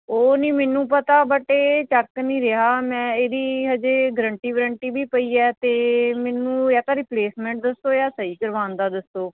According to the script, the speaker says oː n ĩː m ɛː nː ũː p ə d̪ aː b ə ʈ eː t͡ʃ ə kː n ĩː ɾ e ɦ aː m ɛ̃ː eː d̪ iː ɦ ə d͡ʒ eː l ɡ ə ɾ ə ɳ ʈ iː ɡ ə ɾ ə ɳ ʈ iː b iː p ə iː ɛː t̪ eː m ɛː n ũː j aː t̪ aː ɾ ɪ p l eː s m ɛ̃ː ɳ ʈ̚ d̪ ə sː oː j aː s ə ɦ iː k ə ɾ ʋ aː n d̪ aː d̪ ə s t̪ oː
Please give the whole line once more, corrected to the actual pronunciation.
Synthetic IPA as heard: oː n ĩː m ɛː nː ũː p ə t̪ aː b ə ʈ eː t͡ʃ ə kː n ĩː ɾ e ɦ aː m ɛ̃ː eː d̪ iː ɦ ə d͡ʒ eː ɡ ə ɾ ə ɳ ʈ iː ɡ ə ɾ ə ɳ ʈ iː b iː p ə iː ɛː t̪ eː m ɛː n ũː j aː t̪ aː ɾ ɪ p l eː s m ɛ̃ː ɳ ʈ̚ d̪ ə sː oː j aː s ə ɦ iː k ə ɾ ʋ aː n d̪ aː d̪ ə s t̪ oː